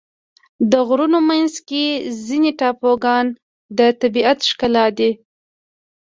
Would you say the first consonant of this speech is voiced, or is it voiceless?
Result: voiced